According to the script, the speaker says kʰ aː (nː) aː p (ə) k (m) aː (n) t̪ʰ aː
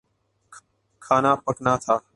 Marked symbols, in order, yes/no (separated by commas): no, yes, no, no